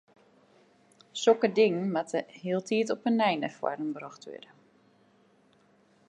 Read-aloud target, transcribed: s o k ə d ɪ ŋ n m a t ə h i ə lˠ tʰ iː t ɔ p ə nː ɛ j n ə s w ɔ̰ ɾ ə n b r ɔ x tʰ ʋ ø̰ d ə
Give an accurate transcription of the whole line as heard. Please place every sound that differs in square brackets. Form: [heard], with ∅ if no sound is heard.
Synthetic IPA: s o k ə d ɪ ŋ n m a t ə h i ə lˠ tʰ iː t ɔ p ə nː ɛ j n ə [f] w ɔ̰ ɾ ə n b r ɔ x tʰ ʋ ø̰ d ə